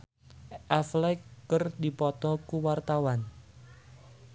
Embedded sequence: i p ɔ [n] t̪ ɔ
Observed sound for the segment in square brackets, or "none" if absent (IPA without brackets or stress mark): none